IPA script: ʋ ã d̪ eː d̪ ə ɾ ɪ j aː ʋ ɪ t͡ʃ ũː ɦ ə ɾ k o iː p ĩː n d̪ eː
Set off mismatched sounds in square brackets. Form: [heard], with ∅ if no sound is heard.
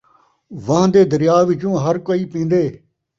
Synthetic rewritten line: ʋ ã d̪ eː d̪ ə ɾ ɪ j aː ʋ ɪ t͡ʃ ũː ɦ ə ɾ k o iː p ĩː n d̪ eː